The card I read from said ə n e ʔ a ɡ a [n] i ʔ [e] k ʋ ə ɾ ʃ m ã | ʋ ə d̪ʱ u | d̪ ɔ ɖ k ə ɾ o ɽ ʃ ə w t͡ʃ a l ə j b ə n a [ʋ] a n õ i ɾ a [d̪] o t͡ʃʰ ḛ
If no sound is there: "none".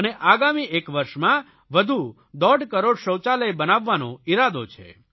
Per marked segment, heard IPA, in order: m, e, ʋː, d̪

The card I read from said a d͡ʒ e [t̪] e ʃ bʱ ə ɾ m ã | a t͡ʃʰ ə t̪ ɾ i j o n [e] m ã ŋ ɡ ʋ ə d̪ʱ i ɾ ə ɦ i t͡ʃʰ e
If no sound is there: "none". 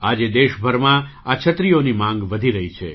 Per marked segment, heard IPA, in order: d̪, i

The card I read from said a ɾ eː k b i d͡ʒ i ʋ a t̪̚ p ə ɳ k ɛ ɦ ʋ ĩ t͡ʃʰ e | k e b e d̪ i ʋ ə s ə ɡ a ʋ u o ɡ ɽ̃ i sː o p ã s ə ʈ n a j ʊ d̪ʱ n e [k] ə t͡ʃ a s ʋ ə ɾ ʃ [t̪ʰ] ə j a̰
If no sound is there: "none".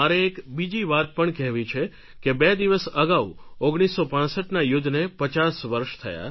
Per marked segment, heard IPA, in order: p, t̪ʰ

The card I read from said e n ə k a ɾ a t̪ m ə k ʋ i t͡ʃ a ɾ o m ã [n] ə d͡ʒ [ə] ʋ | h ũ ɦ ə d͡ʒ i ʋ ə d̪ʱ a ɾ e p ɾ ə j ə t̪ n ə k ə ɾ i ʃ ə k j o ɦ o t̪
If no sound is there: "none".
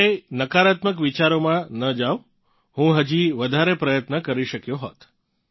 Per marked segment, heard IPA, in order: n, a

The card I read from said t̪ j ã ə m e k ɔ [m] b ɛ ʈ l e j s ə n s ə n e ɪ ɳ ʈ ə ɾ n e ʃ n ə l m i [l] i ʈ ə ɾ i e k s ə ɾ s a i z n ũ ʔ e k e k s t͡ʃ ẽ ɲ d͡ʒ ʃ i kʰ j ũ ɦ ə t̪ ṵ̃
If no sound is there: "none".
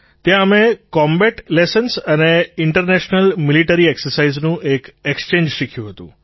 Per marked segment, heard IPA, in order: m, l

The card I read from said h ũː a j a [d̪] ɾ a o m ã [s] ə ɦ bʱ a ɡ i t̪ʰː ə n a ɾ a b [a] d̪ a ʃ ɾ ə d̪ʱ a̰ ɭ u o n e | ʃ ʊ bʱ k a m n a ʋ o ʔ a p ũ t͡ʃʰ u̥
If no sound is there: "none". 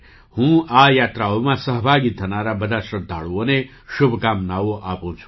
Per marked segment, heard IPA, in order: t̪, s, ə

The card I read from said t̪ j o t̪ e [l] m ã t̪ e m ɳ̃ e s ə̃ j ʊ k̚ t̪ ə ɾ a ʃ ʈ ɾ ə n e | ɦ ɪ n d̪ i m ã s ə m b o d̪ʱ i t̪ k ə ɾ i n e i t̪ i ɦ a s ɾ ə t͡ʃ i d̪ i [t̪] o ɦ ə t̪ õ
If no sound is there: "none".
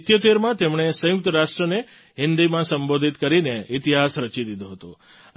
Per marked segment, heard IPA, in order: ɾ, d̪

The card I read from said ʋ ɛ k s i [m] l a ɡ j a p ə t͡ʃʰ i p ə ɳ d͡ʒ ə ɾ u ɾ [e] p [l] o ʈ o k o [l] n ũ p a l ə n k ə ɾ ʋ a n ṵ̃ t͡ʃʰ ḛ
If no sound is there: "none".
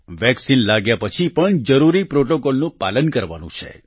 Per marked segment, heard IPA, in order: n, i, ɾ, l

